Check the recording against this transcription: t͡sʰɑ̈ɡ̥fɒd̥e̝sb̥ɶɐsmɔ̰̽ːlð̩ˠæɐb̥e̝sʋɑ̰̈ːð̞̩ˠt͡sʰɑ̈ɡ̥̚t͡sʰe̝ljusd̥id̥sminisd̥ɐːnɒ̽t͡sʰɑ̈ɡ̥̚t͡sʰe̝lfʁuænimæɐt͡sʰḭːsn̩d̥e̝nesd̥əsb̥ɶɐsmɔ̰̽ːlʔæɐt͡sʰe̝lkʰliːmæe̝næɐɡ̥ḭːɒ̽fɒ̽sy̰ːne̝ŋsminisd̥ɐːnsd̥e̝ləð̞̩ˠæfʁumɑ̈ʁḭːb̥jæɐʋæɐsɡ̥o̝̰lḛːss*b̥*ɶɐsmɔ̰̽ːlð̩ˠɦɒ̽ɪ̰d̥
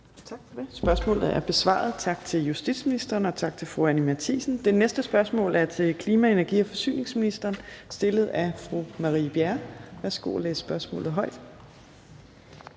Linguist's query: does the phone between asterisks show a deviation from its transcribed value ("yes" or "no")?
no